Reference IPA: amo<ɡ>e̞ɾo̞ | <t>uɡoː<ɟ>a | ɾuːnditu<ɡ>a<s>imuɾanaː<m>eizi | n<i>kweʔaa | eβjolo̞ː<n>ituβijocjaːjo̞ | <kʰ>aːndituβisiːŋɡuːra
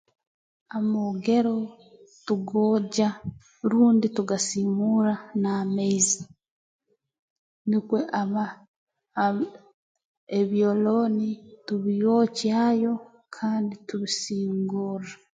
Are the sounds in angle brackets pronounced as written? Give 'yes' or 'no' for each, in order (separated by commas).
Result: yes, yes, yes, yes, yes, yes, yes, yes, yes